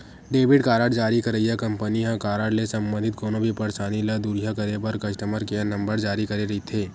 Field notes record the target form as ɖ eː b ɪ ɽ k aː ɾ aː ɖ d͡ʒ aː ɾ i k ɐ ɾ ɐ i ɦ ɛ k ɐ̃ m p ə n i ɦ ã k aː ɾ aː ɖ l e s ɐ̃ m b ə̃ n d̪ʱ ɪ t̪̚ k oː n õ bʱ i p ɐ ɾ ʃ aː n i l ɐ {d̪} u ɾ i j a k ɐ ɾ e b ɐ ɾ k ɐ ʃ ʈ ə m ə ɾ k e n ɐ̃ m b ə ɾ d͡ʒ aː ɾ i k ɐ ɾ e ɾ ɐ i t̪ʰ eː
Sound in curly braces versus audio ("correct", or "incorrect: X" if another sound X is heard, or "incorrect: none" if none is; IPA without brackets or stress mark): correct